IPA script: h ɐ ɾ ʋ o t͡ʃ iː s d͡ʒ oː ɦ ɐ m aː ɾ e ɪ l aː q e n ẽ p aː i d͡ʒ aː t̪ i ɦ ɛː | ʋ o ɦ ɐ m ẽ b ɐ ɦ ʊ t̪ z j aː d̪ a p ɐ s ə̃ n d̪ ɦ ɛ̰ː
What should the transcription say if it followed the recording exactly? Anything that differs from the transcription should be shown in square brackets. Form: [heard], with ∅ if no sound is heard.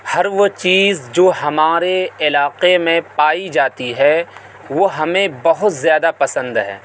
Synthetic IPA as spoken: h ɐ ɾ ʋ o t͡ʃ iː [z] d͡ʒ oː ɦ ɐ m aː ɾ e ɪ l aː q e [m] ẽ p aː i d͡ʒ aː t̪ i ɦ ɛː | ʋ o ɦ ɐ m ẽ b ɐ ɦ ʊ t̪ z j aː d̪ a p ɐ s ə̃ n d̪ ɦ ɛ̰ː

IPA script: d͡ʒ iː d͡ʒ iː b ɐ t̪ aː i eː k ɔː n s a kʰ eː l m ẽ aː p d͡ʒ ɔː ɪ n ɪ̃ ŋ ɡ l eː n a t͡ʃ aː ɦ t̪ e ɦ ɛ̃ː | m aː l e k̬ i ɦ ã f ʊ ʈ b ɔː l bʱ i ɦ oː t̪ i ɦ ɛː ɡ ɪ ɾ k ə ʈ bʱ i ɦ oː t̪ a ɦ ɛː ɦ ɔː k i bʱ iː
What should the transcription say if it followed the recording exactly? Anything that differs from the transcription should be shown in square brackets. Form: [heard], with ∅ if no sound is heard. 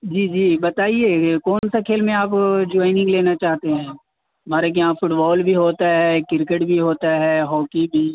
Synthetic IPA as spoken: d͡ʒ iː d͡ʒ iː b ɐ t̪ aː i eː k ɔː n s a kʰ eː l m ẽ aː p d͡ʒ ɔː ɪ n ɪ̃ ŋ ɡ l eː n a t͡ʃ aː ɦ t̪ e ɦ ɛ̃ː | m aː [ɾ] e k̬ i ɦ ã f ʊ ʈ b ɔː l bʱ i ɦ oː t̪ [a] ɦ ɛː [k] ɪ ɾ k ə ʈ bʱ i ɦ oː t̪ a ɦ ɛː ɦ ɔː k i bʱ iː

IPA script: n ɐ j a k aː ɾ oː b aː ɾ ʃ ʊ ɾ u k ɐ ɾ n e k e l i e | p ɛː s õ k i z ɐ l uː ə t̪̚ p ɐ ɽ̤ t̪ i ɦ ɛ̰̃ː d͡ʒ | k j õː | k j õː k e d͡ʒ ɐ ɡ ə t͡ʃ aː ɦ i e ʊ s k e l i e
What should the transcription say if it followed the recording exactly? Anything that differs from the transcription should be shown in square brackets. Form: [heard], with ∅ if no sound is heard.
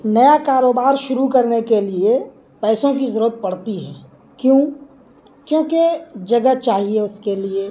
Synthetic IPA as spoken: n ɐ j a k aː ɾ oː b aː ɾ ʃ ʊ ɾ u k ɐ ɾ n e k e l i e | p ɛː s õ k i z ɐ [ɾ] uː ə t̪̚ p ɐ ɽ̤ t̪ i ɦ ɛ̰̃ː [∅] | k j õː | k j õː k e d͡ʒ ɐ ɡ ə t͡ʃ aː ɦ i e ʊ s k e l i e

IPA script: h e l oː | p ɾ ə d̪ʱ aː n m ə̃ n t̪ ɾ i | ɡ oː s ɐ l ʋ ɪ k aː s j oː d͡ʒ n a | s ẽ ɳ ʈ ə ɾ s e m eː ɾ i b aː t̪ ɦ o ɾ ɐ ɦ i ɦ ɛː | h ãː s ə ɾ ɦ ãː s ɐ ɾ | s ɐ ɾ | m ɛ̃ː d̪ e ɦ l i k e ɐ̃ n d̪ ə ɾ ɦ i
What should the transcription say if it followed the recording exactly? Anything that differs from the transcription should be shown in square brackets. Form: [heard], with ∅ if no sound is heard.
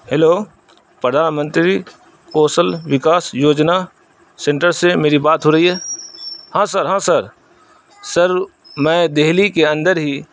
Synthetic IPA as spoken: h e l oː | p ɾ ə d̪ʱ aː n m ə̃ n t̪ ɾ i | [k] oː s [ə] l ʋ ɪ k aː s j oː d͡ʒ n a | s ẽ ɳ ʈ ə ɾ s e m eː ɾ i b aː t̪ ɦ o ɾ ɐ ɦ i ɦ ɛː | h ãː s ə ɾ ɦ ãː s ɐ ɾ | s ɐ ɾ | m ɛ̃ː d̪ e ɦ l i k e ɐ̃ n d̪ ə ɾ ɦ i

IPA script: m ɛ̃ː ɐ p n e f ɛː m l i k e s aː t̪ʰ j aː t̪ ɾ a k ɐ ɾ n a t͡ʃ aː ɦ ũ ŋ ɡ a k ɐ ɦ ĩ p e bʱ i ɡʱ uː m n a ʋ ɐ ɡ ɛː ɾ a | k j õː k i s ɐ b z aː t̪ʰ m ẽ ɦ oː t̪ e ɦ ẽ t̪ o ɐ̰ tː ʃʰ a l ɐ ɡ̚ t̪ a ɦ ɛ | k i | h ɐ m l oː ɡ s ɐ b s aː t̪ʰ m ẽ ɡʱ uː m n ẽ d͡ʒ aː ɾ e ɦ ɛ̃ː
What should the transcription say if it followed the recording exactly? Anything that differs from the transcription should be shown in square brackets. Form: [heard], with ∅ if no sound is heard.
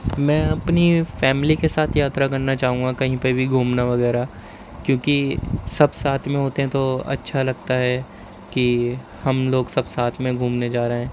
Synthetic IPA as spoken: m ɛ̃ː ɐ p n [i] f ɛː m l i k e s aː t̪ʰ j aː t̪ ɾ a k ɐ ɾ n a t͡ʃ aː ɦ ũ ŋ ɡ a k ɐ ɦ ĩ p e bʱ i ɡʱ uː m n a ʋ ɐ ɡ ɛː ɾ a | k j õː k i s ɐ b [s] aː t̪ʰ m ẽ ɦ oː t̪ e ɦ [ɛ̃] t̪ o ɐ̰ tː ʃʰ a l ɐ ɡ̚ t̪ a ɦ ɛ | k i | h ɐ m l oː ɡ s ɐ b s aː t̪ʰ m ẽ ɡʱ uː m n [e] d͡ʒ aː ɾ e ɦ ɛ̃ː

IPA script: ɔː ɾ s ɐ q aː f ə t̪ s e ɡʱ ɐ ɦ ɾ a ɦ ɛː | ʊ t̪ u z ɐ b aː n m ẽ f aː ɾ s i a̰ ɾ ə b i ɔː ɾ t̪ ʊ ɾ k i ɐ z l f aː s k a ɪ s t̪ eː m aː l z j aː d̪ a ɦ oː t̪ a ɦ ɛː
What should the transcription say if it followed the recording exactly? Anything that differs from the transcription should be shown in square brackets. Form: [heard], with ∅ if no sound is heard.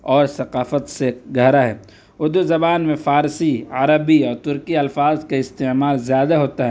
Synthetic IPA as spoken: ɔː ɾ s ɐ q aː f ə t̪ s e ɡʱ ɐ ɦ ɾ a ɦ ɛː | ʊ [d̪] u z ɐ b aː n m ẽ f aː ɾ s i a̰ ɾ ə b i ɔː ɾ t̪ ʊ ɾ k i ɐ [∅] l f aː [z] k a ɪ s t̪ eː m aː l z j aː d̪ a ɦ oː t̪ a ɦ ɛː

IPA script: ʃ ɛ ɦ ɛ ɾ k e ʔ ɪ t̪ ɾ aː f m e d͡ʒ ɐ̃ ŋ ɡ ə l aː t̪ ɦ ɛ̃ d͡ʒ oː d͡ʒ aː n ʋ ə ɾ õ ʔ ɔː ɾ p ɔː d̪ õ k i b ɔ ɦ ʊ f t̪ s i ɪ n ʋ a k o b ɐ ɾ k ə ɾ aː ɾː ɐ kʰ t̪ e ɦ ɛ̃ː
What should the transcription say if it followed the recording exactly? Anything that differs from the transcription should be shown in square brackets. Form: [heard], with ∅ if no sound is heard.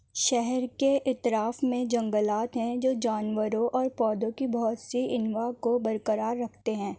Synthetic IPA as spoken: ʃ ɛ ɦ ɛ ɾ k e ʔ ɪ t̪ ɾ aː f m [ẽ] d͡ʒ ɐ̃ ŋ ɡ ə l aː t̪ ɦ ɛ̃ d͡ʒ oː d͡ʒ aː n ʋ ə ɾ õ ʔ ɔː ɾ p ɔː d̪ õ k i b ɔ ɦ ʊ [∅] t̪ s i ɪ n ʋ a k o b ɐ ɾ k ə ɾ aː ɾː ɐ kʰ t̪ e ɦ ɛ̃ː

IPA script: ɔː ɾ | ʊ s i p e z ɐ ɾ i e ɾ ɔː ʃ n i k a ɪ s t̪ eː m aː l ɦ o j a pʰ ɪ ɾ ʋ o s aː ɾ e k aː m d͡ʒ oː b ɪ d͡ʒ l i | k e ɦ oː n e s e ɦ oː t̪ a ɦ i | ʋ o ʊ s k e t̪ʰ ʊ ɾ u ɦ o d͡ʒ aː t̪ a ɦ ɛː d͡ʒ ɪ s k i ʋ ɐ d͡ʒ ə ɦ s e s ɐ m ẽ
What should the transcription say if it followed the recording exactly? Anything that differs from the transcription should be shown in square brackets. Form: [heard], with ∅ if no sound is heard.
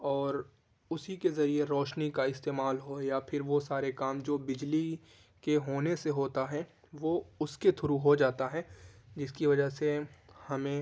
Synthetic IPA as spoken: ɔː ɾ | ʊ s i [k] e z ɐ ɾ i e ɾ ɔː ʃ n i k a ɪ s t̪ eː m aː l ɦ o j a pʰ ɪ ɾ ʋ o s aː ɾ e k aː m d͡ʒ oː b ɪ d͡ʒ l i | k e ɦ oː n e s e ɦ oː t̪ a ɦ [ɛ] | ʋ o ʊ s k e t̪ʰ ʊ ɾ u ɦ o d͡ʒ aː t̪ a ɦ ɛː d͡ʒ ɪ s k i ʋ ɐ d͡ʒ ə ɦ s e [h] ɐ m ẽ

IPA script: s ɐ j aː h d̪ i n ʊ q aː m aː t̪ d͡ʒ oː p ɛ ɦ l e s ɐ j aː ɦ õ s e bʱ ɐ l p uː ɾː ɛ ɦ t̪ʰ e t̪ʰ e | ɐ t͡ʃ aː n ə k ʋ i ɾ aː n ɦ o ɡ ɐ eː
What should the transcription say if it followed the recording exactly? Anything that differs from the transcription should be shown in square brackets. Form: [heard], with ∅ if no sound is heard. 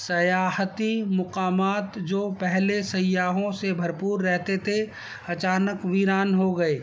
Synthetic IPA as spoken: s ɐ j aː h [t̪] i [m] ʊ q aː m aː t̪ d͡ʒ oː p ɛ ɦ l e s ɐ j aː ɦ õ s e bʱ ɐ [ɾ] p uː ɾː ɛ ɦ [t̪] e t̪ʰ e | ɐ t͡ʃ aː n ə k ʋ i ɾ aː n ɦ o ɡ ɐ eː

